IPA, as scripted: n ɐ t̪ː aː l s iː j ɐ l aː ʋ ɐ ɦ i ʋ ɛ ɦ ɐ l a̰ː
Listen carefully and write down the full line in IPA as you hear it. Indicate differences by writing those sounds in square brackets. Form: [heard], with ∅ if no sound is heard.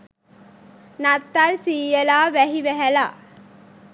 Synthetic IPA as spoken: n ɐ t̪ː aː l s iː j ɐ l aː ʋ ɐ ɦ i ʋ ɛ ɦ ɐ l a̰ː